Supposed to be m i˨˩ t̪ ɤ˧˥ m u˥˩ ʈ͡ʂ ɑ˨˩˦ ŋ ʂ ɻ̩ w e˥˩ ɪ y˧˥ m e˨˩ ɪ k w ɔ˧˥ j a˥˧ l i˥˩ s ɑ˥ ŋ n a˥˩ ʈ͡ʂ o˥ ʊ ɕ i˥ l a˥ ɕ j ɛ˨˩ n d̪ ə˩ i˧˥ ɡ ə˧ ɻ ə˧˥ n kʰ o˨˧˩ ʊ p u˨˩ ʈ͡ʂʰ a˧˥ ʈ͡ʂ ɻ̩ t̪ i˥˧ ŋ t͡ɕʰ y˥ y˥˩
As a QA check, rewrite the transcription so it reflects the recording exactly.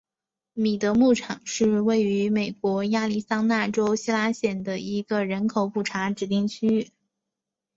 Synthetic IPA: m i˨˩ t̪ ɤ˧˥ m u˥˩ ʈ͡ʂʰ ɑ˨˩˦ ŋ ʂ ɻ̩ w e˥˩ ɪ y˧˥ m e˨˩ ɪ k w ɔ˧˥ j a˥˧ l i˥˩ s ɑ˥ ŋ n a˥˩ ʈ͡ʂ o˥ ʊ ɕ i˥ l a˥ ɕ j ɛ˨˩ n d̪ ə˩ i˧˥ ɡ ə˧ ɻ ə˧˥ n kʰ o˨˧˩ ʊ p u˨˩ ʈ͡ʂʰ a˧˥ ʈ͡ʂ ɻ̩ t̪ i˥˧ ŋ t͡ɕʰ y˥ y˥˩